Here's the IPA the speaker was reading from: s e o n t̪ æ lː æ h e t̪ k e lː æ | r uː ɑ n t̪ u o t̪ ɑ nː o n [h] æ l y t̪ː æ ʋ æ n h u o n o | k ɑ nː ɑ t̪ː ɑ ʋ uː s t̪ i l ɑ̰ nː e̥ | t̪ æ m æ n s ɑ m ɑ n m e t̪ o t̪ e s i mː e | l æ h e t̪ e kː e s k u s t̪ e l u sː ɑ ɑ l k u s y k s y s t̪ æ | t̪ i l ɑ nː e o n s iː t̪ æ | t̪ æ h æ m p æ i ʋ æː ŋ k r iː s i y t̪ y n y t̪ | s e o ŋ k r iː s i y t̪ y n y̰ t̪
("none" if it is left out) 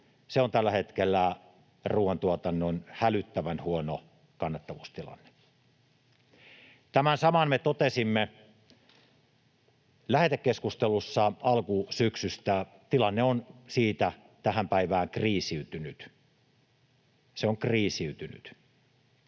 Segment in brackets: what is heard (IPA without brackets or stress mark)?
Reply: h